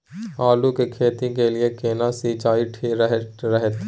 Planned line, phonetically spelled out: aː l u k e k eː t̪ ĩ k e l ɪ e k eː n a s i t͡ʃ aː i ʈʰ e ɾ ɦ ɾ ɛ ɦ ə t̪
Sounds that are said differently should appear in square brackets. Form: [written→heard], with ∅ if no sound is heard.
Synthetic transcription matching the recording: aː l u k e [k→kʰ] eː t̪ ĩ k e l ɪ e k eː n a s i t͡ʃ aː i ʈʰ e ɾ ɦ ɾ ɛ ɦ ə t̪